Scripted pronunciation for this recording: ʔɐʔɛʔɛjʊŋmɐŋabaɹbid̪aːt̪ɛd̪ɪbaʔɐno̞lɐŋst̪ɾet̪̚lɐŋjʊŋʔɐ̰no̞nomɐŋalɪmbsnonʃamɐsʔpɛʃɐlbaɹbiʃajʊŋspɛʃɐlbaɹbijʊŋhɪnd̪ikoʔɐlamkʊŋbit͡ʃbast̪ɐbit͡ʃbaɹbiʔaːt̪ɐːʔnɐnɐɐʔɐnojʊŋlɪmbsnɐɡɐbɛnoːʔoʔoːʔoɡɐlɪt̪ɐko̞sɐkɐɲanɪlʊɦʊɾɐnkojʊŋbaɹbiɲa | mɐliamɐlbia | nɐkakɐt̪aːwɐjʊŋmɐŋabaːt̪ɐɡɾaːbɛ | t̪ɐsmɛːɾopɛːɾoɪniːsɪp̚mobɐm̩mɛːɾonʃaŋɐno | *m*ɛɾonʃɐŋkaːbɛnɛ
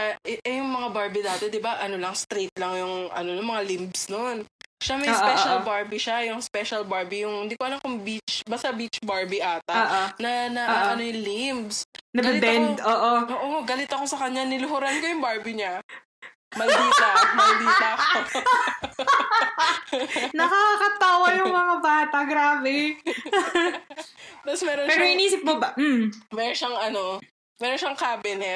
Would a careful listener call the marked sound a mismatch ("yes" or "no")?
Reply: no